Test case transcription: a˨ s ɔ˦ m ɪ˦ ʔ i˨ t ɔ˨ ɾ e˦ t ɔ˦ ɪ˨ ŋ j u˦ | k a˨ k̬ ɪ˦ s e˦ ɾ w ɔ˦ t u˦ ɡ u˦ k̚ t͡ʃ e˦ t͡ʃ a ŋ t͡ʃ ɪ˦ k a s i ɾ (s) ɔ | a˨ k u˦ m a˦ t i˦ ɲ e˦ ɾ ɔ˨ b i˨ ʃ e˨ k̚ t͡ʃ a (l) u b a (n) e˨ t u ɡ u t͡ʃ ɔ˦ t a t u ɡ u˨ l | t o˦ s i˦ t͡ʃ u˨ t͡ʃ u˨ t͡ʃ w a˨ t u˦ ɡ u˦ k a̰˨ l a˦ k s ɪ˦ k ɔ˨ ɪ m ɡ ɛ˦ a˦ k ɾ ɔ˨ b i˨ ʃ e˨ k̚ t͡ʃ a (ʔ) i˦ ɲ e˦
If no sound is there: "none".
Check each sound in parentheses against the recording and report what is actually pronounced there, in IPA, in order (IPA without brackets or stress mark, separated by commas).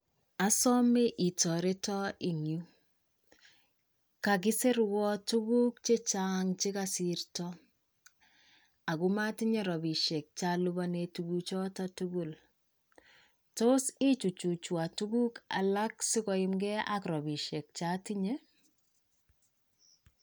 t, l, n, t